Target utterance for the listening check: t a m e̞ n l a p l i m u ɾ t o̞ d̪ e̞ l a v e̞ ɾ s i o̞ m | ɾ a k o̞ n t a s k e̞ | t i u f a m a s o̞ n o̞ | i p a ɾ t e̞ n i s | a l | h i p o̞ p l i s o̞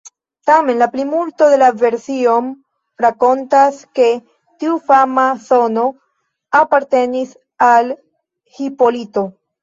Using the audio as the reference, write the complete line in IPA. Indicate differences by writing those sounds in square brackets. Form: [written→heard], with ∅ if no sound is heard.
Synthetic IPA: t a m e̞ n l a p l i m u [ɾ→l] t o̞ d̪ e̞ l a v e̞ ɾ s i o̞ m | ɾ a k o̞ n t a s k e̞ | t i u f a m a s o̞ n o̞ | [i→a] p a ɾ t e̞ n i s | a l | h i p o̞ [p→∅] l i [s→t] o̞